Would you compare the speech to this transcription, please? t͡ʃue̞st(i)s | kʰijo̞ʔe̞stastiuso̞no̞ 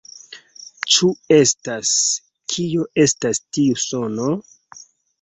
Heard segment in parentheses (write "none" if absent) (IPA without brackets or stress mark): a